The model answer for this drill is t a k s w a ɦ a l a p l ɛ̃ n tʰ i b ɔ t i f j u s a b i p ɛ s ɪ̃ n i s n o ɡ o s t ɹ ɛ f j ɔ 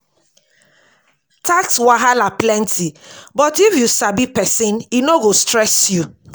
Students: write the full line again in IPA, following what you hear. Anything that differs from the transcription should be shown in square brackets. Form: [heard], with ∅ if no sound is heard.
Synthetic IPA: t a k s w a ɦ a l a p l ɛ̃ n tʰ i b ɔ t i f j u s a b i p ɛ s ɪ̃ n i [∅] n o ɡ o s t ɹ ɛ [s] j [u]